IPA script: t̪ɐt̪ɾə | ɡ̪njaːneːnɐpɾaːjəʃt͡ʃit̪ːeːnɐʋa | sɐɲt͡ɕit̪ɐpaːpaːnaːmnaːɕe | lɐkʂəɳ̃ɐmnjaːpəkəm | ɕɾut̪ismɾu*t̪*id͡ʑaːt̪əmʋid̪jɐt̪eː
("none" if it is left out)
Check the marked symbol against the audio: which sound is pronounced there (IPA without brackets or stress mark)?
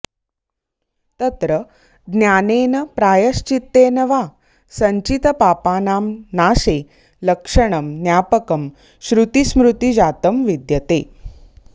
t̪